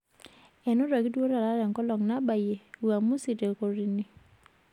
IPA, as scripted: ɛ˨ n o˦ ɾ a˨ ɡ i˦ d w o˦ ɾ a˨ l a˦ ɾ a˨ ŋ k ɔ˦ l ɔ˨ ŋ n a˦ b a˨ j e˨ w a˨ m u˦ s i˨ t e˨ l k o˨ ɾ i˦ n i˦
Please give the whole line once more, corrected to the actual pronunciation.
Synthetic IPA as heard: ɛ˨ n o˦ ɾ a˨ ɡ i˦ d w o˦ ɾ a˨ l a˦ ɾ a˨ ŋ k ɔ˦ l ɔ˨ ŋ n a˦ b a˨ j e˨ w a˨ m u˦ s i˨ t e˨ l k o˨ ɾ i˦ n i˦